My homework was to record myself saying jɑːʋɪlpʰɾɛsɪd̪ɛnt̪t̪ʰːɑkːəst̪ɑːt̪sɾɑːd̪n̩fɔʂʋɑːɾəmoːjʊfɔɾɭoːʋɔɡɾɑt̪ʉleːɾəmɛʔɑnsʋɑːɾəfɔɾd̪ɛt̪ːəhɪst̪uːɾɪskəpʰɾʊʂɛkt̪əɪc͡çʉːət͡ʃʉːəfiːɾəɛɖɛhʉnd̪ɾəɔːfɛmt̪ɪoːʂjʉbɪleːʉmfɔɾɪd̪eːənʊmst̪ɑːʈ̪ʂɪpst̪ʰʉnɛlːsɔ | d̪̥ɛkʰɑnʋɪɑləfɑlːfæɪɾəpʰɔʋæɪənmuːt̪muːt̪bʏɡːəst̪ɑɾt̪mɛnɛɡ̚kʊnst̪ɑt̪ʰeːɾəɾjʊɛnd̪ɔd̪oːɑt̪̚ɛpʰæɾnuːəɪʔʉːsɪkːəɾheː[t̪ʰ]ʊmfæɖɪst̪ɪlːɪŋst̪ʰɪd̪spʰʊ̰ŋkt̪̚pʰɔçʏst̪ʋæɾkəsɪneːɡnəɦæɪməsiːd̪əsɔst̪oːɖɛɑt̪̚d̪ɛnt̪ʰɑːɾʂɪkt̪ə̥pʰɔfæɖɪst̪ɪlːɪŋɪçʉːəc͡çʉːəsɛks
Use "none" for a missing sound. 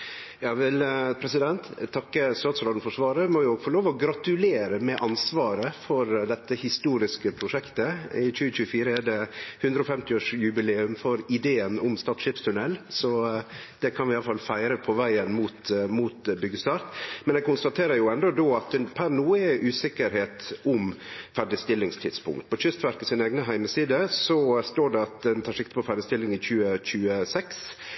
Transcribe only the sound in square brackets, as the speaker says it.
t̪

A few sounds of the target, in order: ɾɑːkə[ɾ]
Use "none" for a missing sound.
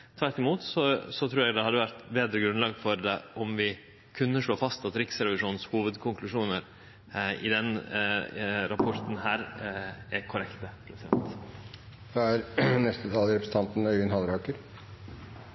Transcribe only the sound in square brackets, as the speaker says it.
ɾ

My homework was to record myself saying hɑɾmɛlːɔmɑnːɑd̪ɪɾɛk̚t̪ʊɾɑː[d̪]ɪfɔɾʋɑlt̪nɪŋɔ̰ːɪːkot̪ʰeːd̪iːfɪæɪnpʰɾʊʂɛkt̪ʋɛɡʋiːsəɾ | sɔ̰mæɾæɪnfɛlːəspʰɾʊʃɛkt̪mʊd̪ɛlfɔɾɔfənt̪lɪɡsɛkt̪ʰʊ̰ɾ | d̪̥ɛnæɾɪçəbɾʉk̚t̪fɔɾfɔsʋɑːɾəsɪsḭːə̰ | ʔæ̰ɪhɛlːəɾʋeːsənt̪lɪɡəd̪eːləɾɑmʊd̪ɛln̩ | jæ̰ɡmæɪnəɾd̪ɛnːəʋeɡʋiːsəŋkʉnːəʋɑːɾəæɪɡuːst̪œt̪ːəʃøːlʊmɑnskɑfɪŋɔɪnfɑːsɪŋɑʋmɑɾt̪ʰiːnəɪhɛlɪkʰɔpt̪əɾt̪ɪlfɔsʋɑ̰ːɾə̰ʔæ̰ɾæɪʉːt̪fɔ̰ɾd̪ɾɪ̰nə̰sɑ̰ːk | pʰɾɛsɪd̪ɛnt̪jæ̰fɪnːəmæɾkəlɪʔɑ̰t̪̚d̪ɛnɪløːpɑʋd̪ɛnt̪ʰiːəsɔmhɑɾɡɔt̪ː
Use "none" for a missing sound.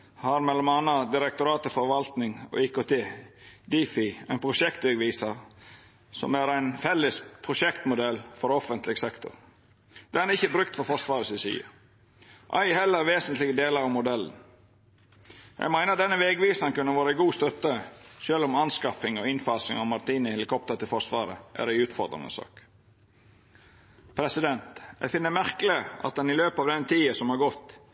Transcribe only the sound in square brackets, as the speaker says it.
t̪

